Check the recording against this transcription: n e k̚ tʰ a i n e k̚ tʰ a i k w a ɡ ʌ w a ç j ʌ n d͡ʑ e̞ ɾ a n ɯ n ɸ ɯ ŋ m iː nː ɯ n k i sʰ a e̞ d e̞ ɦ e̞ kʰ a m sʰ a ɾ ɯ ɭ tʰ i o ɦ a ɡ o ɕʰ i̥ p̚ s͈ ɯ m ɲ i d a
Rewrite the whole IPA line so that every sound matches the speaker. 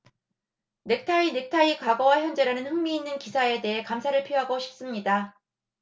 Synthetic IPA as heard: n e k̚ tʰ a i n e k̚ tʰ a i k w a ɡ ʌ w a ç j ʌ n d͡ʑ e̞ ɾ a n ɯ n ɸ ɯ ŋ m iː nː ɯ n k i sʰ a e̞ d e̞ ɦ e̞ k a m sʰ a ɾ ɯ ɭ pʰ i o ɦ a ɡ o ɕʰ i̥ p̚ s͈ ɯ m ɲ i d a